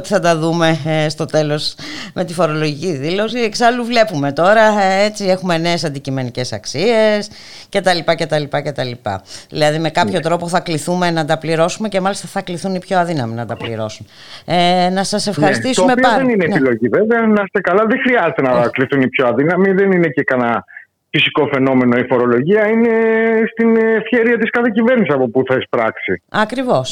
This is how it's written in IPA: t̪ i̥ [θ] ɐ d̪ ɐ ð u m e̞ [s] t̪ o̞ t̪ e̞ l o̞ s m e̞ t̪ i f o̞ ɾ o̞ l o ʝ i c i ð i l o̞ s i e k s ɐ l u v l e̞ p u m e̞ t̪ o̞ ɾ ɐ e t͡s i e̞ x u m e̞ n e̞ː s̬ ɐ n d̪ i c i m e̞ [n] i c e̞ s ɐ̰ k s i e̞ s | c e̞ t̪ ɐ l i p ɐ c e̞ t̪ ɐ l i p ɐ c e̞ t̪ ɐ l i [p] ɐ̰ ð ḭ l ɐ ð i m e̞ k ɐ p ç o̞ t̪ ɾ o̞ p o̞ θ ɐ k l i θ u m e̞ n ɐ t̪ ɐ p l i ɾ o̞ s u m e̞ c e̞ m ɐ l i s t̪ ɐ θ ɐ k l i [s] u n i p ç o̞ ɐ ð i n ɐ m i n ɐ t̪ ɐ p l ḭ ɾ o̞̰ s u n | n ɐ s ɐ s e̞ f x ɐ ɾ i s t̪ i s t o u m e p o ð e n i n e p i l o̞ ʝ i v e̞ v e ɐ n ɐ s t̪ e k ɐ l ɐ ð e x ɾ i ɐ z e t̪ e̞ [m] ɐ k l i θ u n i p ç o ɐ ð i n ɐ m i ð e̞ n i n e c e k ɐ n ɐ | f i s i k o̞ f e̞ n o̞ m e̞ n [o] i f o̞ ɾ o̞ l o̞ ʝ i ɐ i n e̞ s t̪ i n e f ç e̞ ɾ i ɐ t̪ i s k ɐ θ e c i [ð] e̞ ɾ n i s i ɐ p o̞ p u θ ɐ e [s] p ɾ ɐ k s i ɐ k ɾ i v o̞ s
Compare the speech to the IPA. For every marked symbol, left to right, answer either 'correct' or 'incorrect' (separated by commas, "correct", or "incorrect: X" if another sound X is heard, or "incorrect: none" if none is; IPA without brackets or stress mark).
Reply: correct, correct, correct, correct, incorrect: θ, incorrect: n, correct, incorrect: v, correct